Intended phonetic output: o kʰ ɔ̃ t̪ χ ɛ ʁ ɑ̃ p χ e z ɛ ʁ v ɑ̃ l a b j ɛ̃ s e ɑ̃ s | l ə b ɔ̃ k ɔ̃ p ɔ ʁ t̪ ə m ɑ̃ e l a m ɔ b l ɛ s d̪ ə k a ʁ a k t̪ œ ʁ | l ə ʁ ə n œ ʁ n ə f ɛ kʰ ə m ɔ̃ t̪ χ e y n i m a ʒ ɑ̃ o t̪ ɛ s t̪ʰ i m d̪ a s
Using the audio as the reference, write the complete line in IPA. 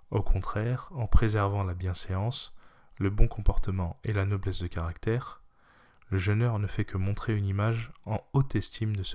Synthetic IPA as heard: o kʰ ɔ̃ t̪ χ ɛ ʁ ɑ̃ p χ e z ɛ ʁ v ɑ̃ l a b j ɛ̃ s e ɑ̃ s | l ə b ɔ̃ k ɔ̃ p ɔ ʁ t̪ ə m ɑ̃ e l a n ɔ b l ɛ s d̪ ə k a ʁ a k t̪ ɛ ʁ | l ə ʒ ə n œ ʁ n ə f ɛ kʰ ə m ɔ̃ t̪ χ e y n i m a ʒ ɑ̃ o t̪ ɛ s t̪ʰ i m d̪ ə s